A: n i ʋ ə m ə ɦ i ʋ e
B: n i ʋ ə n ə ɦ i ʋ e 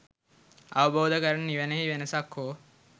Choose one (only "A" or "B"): B